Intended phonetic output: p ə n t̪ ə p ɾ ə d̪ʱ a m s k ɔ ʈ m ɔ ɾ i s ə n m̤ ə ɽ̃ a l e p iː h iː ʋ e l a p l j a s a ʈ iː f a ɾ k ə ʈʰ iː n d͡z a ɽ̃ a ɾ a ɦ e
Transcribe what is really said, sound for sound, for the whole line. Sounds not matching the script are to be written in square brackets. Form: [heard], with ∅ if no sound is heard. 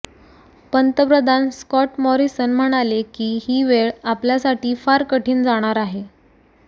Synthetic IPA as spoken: p ə n t̪ ə p ɾ ə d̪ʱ a [n] s k ɔ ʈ m ɔ ɾ i s ə n m̤ ə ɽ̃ a l e [k] iː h iː ʋ e [ɭ] a p l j a s a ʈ iː f a ɾ k ə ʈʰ iː n d͡z a ɽ̃ a ɾ a ɦ e